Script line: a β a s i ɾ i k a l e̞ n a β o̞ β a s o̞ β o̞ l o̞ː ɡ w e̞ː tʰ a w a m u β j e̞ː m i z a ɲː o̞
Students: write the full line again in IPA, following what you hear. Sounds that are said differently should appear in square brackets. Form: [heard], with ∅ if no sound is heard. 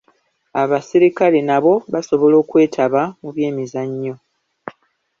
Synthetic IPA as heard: a β a s i ɾ i k a l e̞ n a β o̞ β a s o̞ β o̞ l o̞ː [k] w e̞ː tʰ a [β] a m u β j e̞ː m i z a ɲː o̞